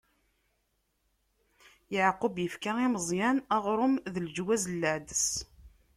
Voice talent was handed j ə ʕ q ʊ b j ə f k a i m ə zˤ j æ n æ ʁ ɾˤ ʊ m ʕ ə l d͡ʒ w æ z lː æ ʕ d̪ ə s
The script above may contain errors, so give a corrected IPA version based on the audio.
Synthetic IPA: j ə ʕ q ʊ b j ə f k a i m ə zˤ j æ n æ ʁ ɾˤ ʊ m ð ə l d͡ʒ w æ z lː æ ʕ d̪ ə s